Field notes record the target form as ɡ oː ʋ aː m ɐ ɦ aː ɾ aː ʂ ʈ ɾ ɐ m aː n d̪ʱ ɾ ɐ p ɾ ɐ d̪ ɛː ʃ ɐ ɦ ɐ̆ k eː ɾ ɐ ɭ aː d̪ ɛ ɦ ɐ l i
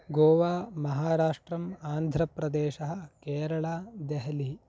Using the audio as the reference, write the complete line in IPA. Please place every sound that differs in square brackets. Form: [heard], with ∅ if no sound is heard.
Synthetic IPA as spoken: ɡ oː ʋ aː m ɐ ɦ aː ɾ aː ʂ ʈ ɾ ɐ m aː n d̪ʱ ɾ ɐ p ɾ ɐ d̪ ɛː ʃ ɐ ɦ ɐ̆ k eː ɾ ɐ ɭ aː d̪ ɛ ɦ ɐ l i